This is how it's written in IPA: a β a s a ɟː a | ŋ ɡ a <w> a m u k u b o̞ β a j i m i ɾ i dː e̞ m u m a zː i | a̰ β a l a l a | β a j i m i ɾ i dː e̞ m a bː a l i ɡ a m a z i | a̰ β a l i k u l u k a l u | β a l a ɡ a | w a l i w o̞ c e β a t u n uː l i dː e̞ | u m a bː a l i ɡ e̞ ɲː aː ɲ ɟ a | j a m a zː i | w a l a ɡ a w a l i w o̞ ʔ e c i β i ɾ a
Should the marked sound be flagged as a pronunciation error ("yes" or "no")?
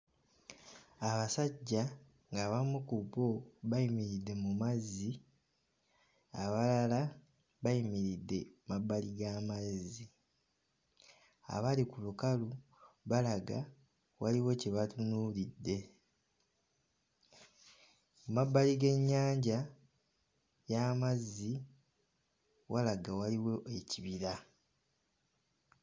yes